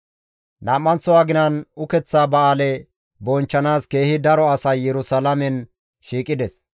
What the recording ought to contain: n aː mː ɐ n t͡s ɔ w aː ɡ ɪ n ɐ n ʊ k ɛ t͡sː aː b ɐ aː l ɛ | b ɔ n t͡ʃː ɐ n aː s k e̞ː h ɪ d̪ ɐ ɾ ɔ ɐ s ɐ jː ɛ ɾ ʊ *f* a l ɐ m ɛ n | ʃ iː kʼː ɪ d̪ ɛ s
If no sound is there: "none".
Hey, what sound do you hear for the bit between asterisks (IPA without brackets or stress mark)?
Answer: s